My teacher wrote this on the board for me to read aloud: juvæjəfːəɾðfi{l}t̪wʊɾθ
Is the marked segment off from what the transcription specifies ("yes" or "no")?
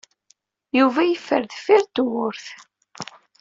yes